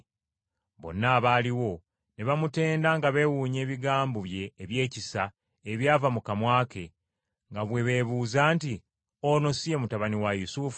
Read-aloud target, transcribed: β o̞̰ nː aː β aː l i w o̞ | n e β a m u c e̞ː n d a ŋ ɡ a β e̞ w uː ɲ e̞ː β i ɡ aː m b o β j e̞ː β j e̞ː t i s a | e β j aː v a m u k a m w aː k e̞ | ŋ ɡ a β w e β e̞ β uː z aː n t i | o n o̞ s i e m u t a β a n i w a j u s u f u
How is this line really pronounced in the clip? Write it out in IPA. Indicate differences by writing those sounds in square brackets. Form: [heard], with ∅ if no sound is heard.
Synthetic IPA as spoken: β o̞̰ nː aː β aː l i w o̞ | n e β a m u [t] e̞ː n d a ŋ ɡ a β e̞ w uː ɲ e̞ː β i ɡ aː m b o β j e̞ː β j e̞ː [c] i s a | e β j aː v a m u k a m w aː k e̞ | ŋ ɡ a β w e β e̞ β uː z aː n t i | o n o̞ s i e m u t a β a n i w a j u s u f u